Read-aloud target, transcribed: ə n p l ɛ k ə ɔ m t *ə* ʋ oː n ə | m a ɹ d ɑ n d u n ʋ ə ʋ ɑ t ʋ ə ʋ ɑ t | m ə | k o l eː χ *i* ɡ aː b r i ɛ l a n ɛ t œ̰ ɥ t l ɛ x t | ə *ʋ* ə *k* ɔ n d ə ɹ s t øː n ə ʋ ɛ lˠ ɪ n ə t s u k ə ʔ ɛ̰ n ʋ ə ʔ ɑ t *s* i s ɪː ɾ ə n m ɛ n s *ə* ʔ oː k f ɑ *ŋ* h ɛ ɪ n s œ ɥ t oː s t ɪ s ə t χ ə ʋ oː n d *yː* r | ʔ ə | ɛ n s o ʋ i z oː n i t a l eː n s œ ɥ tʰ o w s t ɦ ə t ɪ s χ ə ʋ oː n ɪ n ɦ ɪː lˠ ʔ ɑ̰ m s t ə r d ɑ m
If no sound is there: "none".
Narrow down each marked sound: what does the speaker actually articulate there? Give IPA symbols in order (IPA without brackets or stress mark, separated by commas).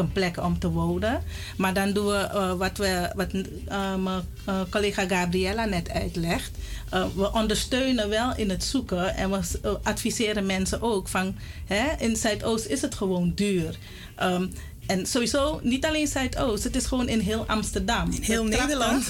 ə, a, ʋ, ʔ, f, ə, n, yː